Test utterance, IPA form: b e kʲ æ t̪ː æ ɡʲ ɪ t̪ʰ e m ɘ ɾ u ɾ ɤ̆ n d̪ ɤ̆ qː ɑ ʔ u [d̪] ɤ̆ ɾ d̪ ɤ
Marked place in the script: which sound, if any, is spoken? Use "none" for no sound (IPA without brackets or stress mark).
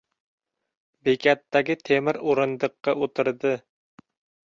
t̪